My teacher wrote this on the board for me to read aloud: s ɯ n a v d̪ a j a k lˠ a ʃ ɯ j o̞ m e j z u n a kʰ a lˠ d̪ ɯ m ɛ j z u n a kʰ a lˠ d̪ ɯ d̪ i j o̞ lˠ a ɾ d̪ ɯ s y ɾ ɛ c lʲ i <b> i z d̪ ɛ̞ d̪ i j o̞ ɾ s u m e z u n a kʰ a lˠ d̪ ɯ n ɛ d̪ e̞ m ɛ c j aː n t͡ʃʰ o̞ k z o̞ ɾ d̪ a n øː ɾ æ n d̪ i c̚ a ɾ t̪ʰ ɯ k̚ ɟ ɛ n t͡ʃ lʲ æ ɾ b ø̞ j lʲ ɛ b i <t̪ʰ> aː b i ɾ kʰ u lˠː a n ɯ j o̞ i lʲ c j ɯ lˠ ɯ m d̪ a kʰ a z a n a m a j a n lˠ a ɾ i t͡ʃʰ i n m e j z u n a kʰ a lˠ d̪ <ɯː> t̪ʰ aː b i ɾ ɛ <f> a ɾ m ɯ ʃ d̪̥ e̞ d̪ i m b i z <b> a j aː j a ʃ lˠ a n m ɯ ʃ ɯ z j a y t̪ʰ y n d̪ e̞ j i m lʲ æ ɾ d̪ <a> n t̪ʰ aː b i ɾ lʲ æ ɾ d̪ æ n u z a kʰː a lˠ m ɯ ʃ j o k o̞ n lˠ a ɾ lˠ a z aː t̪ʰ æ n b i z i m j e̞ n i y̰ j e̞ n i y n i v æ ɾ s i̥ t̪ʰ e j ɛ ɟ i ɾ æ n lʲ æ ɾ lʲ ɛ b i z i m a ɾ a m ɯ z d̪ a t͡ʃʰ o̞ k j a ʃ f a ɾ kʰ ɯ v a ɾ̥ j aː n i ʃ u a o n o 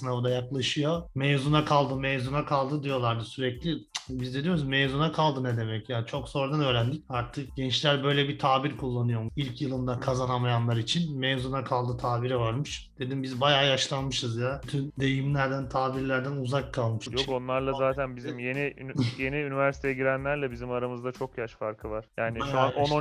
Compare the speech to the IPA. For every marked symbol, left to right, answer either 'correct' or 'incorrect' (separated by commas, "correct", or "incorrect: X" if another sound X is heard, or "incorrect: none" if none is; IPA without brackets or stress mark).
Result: correct, correct, incorrect: ɯ, incorrect: v, correct, incorrect: æ